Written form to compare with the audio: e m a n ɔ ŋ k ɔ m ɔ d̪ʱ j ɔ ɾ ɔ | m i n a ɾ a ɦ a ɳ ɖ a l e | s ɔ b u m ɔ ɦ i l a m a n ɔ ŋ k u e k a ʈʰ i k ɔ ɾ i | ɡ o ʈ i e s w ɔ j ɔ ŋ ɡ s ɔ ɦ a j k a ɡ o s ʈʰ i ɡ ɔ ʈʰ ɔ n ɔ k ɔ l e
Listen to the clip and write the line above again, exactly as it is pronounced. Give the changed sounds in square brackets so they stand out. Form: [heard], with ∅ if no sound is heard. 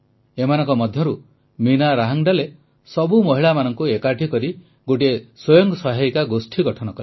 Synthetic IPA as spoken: e m a n ɔ ŋ k ɔ m ɔ d̪ʱ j ɔ ɾ [u] | m i n a ɾ a ɦ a [ŋ] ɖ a l e | s ɔ b u m ɔ ɦ i [ɭ] a m a n ɔ ŋ k u e k a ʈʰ i k ɔ ɾ i | ɡ o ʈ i e s w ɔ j ɔ ŋ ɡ s ɔ ɦ a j k a ɡ o s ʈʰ i ɡ ɔ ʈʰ ɔ n ɔ k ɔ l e

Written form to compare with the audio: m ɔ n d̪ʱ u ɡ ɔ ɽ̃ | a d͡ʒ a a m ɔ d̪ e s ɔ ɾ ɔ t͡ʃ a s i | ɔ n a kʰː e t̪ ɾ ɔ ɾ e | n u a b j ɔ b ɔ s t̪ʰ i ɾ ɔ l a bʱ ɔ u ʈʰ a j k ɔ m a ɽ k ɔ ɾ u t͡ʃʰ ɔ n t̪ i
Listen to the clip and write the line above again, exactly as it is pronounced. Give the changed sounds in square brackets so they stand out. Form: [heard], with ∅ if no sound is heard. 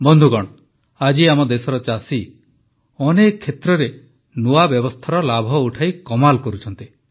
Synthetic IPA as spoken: [b] ɔ n d̪ʱ u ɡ ɔ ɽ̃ | a d͡ʒ [i] a m ɔ d̪ e s ɔ ɾ ɔ t͡ʃ a s i | ɔ n [e] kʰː e t̪ ɾ ɔ ɾ e | n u a b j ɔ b ɔ s t̪ʰ [a] ɾ ɔ l a bʱ ɔ u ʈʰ a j k ɔ m a [l] k ɔ ɾ u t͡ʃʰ ɔ n t̪ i

